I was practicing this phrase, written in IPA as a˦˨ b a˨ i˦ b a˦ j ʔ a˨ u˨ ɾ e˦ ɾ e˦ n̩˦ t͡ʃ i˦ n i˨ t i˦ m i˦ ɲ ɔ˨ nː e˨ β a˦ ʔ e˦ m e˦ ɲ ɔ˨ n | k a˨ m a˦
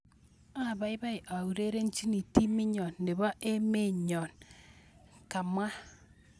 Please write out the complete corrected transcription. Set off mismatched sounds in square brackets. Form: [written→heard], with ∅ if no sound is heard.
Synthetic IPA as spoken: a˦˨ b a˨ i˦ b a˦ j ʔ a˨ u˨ ɾ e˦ ɾ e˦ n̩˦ t͡ʃ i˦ n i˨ t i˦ m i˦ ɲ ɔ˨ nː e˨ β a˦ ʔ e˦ m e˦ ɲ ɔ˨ n | k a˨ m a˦